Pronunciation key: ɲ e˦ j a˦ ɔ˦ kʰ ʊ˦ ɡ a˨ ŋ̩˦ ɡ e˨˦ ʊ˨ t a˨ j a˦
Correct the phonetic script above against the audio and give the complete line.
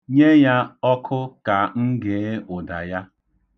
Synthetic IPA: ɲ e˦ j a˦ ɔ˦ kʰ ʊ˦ k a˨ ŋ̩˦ ɡ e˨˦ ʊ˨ d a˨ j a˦

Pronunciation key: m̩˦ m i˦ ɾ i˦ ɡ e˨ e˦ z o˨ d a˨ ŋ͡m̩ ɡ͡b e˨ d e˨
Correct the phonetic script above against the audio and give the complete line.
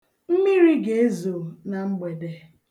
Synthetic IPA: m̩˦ m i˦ ɾ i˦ ɡ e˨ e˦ z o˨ n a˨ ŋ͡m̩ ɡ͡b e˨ d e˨

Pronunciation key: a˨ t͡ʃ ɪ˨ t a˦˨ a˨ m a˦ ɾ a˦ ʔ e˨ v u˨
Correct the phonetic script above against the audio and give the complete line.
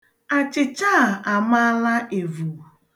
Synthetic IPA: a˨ t͡ʃ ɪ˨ t͡ʃ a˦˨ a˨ m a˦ l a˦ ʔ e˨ v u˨

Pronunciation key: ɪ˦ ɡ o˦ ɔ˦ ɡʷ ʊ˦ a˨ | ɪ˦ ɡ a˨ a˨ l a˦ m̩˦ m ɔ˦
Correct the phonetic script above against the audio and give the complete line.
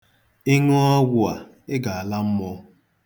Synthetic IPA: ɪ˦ ŋ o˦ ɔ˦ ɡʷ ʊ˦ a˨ | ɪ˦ ɡ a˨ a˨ l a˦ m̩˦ m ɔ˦

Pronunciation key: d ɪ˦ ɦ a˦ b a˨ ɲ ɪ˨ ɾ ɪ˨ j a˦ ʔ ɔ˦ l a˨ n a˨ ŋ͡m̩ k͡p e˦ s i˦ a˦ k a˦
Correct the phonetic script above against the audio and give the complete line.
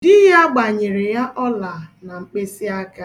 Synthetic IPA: d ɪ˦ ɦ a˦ ɡ͡b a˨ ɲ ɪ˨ ɾ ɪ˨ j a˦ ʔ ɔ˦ l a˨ n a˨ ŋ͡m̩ k͡p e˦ s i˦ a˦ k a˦

